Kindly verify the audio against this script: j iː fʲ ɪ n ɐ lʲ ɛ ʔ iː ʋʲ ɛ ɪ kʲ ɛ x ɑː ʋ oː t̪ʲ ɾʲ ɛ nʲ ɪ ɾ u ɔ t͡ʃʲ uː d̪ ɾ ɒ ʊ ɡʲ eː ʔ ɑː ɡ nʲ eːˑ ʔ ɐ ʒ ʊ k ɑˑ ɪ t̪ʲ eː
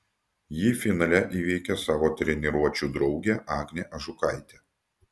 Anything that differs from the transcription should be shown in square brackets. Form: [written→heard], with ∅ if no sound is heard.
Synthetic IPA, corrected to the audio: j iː fʲ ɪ n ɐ lʲ ɛ ʔ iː ʋʲ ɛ ɪ kʲ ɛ [x→s] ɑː ʋ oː t̪ʲ ɾʲ ɛ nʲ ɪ ɾ u ɔ t͡ʃʲ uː d̪ ɾ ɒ ʊ ɡʲ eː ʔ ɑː ɡ nʲ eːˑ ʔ ɐ ʒ ʊ k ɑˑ ɪ t̪ʲ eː